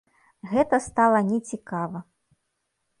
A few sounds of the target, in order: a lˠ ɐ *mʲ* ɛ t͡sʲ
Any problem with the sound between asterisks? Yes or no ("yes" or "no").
yes